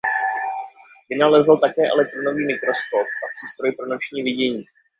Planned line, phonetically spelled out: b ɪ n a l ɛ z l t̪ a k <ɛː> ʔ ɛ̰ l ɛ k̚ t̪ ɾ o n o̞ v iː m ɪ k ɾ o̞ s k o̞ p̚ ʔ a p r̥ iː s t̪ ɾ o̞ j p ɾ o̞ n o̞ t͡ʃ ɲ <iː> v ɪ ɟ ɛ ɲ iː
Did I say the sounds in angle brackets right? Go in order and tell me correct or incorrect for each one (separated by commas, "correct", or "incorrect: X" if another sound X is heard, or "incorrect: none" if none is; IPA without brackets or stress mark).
correct, correct